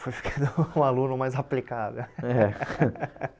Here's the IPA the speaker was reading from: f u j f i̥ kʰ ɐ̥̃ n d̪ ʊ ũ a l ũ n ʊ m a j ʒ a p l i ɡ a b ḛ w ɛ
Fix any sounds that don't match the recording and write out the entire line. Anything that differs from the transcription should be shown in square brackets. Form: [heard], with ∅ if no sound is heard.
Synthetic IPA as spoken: f [o] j f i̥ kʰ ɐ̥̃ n d̪ ʊ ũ a l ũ n ʊ m a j [z] a p l i [k] a [v] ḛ w ɛ